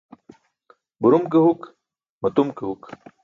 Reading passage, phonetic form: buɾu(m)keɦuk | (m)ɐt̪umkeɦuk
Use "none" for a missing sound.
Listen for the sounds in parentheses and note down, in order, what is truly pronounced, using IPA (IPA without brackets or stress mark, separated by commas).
m, m